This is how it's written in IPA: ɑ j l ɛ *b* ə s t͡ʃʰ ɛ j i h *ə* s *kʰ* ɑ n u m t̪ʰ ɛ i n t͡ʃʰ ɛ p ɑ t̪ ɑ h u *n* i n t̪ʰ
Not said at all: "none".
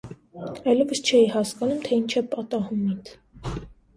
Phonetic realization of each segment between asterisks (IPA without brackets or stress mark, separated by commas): v, ɑ, k, m